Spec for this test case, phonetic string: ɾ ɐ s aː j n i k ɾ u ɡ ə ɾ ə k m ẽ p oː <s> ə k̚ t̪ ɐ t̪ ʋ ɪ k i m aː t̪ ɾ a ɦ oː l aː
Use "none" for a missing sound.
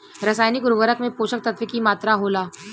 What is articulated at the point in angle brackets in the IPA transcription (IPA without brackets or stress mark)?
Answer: ʃ